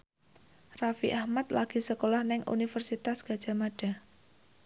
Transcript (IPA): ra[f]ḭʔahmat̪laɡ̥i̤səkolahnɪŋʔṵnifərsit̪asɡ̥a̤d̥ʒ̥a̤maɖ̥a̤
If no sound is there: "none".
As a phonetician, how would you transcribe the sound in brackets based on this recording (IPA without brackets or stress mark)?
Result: f